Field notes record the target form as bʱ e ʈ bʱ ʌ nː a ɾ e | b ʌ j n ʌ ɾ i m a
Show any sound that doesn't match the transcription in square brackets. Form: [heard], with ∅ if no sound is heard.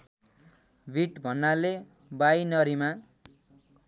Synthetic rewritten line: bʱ [i] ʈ bʱ ʌ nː a [l] e | b [a] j n ʌ ɾ i m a